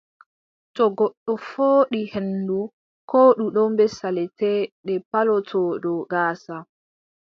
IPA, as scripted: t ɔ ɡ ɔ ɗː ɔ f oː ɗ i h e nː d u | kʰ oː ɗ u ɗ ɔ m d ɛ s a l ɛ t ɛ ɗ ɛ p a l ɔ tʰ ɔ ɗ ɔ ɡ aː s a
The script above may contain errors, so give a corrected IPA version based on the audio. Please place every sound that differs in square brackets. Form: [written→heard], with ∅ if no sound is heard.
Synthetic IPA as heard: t ɔ ɡ ɔ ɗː ɔ f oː ɗ i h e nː d u | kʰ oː ɗ u ɗ ɔ m [d→b] ɛ s a l ɛ t ɛ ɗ ɛ p a l ɔ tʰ ɔ ɗ ɔ ɡ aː s a

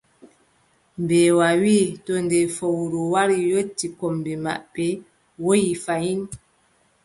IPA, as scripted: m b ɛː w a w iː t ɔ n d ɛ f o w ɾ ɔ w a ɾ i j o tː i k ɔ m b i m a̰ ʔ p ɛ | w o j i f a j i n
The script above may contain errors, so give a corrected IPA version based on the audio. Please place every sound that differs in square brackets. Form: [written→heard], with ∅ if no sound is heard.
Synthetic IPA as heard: m b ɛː w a w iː t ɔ n d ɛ f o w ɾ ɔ w a ɾ i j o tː i k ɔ m b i m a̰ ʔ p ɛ | w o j i f a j i n

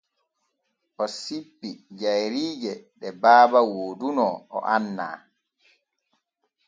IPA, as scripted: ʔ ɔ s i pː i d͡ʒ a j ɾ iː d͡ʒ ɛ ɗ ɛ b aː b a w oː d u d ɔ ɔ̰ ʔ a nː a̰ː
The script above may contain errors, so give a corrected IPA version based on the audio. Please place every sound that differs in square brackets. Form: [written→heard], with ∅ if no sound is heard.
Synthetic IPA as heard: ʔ ɔ s i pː i d͡ʒ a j ɾ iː d͡ʒ ɛ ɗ ɛ b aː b a w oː d u [d→n] ɔ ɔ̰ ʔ a nː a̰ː

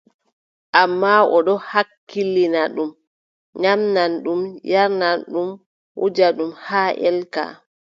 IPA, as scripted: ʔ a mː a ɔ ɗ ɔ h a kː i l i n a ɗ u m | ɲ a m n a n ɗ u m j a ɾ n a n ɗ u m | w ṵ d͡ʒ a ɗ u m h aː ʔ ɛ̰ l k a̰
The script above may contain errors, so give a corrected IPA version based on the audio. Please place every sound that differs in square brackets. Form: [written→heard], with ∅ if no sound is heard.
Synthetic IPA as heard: ʔ a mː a ɔ ɗ ɔ h a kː i l i n a ɗ u m | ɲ a m n a n ɗ u m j a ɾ n a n ɗ u m | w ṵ d͡ʒ a ɗ u m h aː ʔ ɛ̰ l k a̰

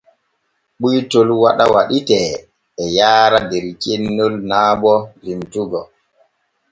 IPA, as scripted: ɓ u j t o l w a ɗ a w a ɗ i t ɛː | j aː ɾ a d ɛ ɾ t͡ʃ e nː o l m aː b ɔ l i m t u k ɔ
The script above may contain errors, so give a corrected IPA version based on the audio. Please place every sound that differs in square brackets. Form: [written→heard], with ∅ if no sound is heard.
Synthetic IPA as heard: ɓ u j t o l w a ɗ a w a ɗ i t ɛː | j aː ɾ a d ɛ ɾ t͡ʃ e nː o l [m→n] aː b ɔ l i m t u [k→ɡ] ɔ

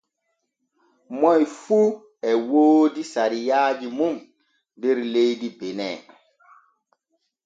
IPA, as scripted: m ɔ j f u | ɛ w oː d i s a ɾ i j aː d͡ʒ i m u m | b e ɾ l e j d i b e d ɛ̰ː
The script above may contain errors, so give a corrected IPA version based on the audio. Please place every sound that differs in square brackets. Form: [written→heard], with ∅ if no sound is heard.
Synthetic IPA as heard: m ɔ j f u | ɛ w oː d i s a ɾ i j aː d͡ʒ i m u m | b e ɾ l e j d i b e [d→n] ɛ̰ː

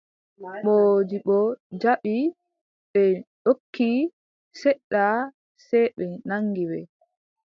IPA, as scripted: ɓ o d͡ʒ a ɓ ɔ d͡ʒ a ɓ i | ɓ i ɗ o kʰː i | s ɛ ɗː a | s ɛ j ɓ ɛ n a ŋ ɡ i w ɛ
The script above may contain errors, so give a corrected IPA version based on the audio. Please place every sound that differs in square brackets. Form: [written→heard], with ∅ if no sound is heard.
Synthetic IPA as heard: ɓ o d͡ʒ [a→i] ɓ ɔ d͡ʒ a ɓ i | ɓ [i→ɛ] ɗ o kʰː i | s ɛ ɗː a | s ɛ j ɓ ɛ n a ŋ ɡ i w ɛ

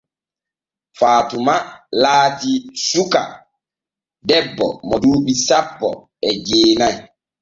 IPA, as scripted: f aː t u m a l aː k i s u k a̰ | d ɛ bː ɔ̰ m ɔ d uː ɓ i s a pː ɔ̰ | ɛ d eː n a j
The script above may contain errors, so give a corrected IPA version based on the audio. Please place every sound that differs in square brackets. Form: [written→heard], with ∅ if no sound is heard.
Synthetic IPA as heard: f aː t u m a l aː [k→t] i s u k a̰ | d ɛ bː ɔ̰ m ɔ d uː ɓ i s a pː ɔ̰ | ɛ [d→d͡ʒ] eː n a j

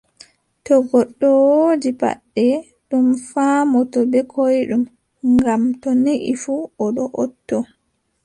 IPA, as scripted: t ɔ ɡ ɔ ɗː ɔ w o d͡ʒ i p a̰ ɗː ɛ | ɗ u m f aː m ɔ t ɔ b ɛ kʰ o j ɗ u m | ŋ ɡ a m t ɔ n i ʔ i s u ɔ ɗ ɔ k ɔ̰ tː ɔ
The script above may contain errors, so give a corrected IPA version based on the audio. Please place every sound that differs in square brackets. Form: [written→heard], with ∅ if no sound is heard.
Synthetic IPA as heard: t ɔ ɡ ɔ ɗː ɔ w o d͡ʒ i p a̰ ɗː ɛ | ɗ u m f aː m ɔ t ɔ b ɛ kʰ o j ɗ u m | ŋ ɡ a m t ɔ n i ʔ i [s→f] u ɔ ɗ ɔ [k→ʔ] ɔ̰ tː ɔ

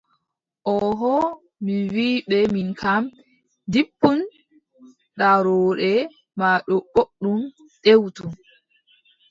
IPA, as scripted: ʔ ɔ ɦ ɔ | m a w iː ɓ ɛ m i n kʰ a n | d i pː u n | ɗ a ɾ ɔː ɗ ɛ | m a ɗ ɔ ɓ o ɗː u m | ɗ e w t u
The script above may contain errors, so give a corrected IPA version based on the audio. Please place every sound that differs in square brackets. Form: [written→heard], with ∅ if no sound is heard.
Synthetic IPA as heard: ʔ ɔ ɦ ɔ | m [a→i] w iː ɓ ɛ m i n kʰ a [n→m] | d i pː u n | ɗ a ɾ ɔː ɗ ɛ | m a ɗ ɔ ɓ o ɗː u m | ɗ e w t u

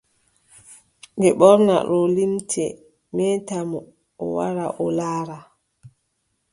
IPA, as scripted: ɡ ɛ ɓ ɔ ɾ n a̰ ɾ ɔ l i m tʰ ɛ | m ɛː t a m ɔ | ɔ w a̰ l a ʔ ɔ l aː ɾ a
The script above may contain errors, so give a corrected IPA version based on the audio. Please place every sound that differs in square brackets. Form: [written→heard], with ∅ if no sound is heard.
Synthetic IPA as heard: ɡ ɛ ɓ ɔ ɾ n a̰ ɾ ɔ l i m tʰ ɛ | m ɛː t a m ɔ | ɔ w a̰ [l→ɾ] a ʔ ɔ l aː ɾ a

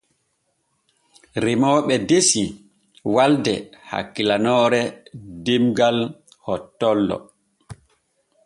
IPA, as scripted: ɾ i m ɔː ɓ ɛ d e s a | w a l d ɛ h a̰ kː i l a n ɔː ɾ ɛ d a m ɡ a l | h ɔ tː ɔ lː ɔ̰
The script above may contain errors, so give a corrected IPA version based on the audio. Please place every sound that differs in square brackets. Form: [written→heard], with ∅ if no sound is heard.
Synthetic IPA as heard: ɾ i m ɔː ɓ ɛ d e s [a→i] | w a l d ɛ h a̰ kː i l a n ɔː ɾ ɛ d [a→i] m ɡ a l | h ɔ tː ɔ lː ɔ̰

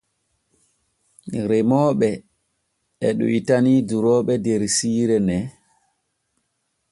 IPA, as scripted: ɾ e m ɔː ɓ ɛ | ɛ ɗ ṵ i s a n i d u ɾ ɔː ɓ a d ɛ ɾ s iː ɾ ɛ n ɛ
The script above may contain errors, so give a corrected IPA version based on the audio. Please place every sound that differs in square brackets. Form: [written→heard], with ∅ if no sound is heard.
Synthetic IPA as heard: ɾ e m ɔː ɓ ɛ | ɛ ɗ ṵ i [s→t] a n i d u ɾ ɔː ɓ [a→ɛ] d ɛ ɾ s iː ɾ ɛ n ɛ

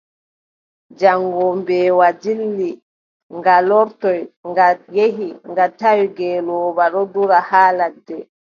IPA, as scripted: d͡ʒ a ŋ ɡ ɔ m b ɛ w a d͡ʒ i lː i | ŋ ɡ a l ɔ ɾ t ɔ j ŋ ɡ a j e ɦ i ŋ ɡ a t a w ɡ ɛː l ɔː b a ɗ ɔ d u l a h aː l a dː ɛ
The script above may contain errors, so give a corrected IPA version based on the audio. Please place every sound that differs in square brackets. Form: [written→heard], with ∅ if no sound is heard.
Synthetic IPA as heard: d͡ʒ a ŋ ɡ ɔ m b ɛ w a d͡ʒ i lː i | ŋ ɡ a l ɔ ɾ t ɔ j ŋ ɡ a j e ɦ i ŋ ɡ a t a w ɡ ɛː l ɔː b a ɗ ɔ d u [l→ɾ] a h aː l a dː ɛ

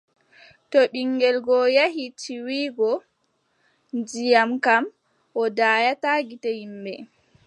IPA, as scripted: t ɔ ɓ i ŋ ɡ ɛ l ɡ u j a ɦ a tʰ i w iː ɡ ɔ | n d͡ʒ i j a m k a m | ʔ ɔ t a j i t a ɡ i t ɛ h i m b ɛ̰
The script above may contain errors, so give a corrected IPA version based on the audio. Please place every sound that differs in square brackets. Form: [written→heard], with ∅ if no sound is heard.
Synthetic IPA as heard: t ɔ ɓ i ŋ ɡ ɛ l ɡ [u→ɔ] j a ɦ [a→i] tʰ i w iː ɡ ɔ | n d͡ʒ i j a m k a m | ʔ ɔ [t→d] a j [i→a] t a ɡ i t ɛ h i m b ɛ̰

